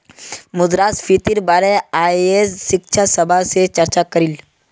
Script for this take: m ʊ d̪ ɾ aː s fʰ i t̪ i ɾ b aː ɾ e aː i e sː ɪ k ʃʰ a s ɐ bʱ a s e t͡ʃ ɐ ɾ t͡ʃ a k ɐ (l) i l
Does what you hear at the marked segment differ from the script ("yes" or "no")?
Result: yes